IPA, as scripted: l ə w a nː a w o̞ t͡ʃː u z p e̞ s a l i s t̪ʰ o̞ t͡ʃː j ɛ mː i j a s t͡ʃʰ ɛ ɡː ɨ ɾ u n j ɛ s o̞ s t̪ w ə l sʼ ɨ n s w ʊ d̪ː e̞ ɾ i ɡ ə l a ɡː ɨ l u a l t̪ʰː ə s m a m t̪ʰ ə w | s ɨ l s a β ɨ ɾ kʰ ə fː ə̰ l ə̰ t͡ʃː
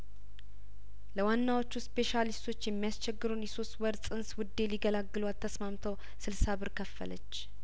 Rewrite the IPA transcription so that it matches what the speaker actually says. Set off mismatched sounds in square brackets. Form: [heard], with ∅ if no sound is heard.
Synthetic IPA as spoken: l ə w a nː a w o̞ t͡ʃː u [s] p e̞ [ʃ] a l i s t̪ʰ o̞ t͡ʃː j ɛ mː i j a s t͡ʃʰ ɛ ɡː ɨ ɾ u n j ɛ s o̞ s t̪ w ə [ɾ] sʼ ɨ n s w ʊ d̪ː e̞ [l] i ɡ ə l a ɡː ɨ l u a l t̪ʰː ə s m a m t̪ʰ ə w | s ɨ l s a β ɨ ɾ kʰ ə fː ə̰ l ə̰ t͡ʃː